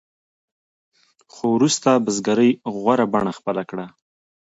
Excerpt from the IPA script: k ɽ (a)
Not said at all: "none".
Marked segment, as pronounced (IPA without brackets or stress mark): a